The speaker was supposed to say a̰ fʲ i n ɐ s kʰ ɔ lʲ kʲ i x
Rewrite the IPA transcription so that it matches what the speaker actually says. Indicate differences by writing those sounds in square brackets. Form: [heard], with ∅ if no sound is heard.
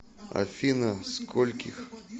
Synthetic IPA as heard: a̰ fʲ i n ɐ s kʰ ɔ lʲ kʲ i x